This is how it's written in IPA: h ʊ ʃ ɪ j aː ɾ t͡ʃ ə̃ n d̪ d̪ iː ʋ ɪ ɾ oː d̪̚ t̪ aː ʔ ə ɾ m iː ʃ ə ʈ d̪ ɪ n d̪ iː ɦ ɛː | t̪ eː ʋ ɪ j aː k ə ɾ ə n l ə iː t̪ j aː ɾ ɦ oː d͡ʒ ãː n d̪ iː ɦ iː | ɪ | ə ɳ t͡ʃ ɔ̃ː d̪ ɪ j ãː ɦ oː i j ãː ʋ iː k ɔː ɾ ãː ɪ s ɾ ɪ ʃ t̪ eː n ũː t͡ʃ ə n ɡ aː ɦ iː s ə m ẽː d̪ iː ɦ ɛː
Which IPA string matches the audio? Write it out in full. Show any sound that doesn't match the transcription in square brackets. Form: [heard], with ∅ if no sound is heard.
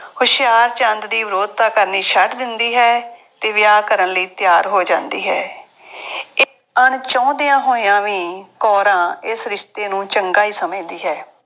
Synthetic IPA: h ʊ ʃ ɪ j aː ɾ t͡ʃ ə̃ n d̪ d̪ iː ʋ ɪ ɾ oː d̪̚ t̪ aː [k] ə ɾ [n] iː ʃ ə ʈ d̪ ɪ n d̪ iː ɦ ɛː | t̪ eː ʋ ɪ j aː k ə ɾ ə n l ə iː t̪ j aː ɾ ɦ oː d͡ʒ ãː n d̪ iː ɦ [ɛː] | ɪ | ə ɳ t͡ʃ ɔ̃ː d̪ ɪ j ãː ɦ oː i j ãː ʋ iː k ɔː ɾ ãː ɪ s ɾ ɪ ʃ t̪ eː n ũː t͡ʃ ə [ŋ] ɡ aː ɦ iː s ə m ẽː d̪ iː ɦ ɛː